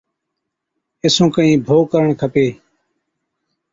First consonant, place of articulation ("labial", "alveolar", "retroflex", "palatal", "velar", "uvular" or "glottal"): alveolar